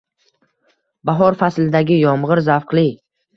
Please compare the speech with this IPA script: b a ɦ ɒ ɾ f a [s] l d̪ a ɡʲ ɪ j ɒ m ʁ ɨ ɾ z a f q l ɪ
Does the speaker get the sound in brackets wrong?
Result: no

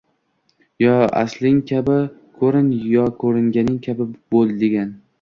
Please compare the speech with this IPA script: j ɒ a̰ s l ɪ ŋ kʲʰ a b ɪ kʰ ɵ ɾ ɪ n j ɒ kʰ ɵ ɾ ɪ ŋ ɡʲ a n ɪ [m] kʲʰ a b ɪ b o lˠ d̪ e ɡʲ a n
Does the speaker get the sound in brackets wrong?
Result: yes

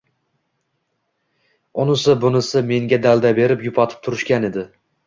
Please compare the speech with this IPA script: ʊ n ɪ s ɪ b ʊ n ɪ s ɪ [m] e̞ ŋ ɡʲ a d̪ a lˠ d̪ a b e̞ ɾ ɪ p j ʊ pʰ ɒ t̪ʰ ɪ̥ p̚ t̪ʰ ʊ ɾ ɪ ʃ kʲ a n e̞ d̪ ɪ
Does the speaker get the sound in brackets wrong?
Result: no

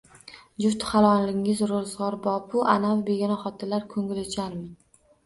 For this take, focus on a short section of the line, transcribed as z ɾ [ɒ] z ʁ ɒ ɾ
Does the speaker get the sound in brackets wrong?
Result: yes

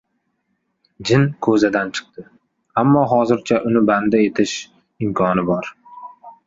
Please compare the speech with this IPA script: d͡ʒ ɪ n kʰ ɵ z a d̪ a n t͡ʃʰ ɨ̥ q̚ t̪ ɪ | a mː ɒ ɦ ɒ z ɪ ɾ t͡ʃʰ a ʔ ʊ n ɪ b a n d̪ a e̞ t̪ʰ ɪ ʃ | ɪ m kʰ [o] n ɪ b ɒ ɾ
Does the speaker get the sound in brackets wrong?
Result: yes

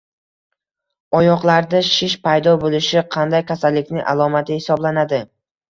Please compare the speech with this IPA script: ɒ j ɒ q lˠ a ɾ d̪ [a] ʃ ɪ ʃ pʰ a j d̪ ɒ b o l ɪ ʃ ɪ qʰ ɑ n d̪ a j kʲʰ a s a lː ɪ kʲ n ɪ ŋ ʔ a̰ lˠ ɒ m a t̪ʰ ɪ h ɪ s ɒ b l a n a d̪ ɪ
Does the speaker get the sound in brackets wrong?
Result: no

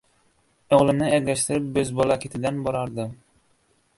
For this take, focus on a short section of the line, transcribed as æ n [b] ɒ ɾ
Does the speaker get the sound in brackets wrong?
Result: no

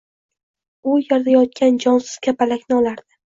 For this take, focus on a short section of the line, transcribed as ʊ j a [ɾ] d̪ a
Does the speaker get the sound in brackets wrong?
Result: no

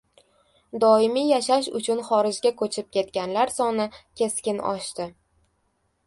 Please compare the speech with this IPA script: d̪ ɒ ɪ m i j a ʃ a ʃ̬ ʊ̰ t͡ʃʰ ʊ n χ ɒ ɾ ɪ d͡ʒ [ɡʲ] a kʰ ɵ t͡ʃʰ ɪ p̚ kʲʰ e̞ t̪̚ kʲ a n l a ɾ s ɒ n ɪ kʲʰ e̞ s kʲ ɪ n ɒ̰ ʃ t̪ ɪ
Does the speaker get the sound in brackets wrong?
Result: no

